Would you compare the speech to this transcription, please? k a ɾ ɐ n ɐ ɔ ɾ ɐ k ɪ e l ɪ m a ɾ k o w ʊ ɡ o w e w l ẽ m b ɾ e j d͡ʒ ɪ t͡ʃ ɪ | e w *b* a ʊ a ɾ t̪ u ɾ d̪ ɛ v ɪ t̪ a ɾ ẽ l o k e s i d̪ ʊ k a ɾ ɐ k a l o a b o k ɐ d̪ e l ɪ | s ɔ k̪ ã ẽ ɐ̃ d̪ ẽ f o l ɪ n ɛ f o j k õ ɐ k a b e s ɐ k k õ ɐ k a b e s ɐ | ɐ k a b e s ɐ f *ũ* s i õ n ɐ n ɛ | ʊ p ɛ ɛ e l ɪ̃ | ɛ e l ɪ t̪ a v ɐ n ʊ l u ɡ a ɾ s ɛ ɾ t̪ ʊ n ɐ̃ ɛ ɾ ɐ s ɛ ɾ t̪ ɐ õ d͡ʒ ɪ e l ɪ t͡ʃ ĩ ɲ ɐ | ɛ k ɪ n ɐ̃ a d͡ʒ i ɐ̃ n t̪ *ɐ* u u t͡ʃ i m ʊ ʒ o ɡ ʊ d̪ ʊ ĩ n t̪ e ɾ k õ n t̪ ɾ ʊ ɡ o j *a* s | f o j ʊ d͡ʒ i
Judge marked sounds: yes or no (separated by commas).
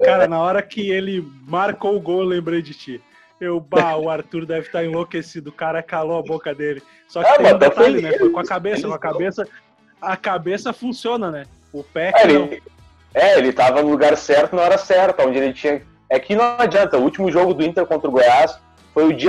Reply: yes, yes, yes, yes